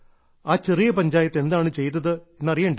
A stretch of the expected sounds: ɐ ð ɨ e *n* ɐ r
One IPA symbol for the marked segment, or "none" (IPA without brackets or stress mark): nː